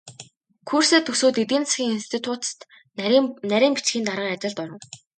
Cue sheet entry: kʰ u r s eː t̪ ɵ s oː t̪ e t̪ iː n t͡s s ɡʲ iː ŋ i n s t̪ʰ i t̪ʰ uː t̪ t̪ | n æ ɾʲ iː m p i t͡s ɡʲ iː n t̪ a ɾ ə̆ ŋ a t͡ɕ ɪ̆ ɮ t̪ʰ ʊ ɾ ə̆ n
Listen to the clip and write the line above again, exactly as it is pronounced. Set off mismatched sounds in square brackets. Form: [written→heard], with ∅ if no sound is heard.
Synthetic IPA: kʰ u r s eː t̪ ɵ s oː t̪ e t̪ iː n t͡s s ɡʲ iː ŋ i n s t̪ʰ i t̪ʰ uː t̪ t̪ | n æ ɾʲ iː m p i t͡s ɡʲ iː n t̪ a ɾ ə̆ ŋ a t͡ɕ ɪ̆ ɮ [t̪ʰ→t̪] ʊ ɾ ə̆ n